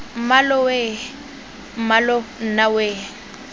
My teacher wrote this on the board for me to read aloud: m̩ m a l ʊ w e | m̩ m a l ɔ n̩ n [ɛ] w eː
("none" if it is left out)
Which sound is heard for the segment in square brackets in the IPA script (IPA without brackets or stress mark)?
a